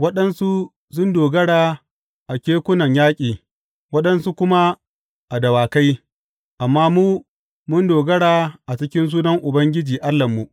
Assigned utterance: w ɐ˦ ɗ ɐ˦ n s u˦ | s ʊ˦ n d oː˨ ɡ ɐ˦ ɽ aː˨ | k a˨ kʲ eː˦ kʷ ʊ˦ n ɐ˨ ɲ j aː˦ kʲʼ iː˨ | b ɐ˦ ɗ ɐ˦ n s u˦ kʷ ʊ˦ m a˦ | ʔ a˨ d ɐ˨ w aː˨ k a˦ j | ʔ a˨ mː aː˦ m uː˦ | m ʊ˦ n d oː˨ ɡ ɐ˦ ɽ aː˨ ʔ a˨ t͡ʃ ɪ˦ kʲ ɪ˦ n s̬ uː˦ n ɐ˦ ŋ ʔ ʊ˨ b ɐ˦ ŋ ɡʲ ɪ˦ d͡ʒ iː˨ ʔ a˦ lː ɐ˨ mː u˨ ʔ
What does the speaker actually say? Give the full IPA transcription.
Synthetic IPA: w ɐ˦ ɗ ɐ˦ n s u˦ | s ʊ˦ n d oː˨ ɡ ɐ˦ ɽ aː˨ | ʔ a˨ kʲ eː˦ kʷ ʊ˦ n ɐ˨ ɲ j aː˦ kʲʼ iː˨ | w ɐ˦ ɗ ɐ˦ n s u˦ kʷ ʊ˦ m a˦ | ʔ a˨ d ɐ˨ w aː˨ k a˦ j | ʔ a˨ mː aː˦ m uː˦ | m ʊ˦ n d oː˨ ɡ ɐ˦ ɽ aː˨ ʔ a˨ t͡ʃ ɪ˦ kʲ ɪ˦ n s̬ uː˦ n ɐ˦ ŋ ʔ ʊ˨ b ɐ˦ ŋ ɡʲ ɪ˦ d͡ʒ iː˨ ʔ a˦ lː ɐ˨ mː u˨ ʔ